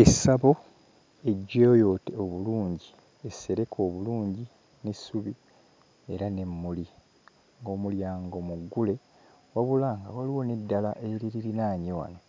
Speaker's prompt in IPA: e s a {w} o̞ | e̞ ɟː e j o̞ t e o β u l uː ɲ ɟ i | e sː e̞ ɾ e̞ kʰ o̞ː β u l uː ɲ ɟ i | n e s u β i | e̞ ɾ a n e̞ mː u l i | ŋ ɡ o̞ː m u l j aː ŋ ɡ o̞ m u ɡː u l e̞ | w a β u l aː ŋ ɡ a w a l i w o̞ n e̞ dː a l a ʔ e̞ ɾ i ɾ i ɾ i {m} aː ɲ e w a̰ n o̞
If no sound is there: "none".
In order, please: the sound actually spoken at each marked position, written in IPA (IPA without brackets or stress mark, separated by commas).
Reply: β, n